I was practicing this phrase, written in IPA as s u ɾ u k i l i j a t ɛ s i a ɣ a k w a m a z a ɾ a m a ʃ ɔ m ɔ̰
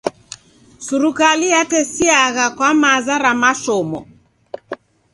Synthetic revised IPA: s u ɾ u k a l i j a t ɛ s i a ɣ a k w a m a z a ɾ a m a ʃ ɔ m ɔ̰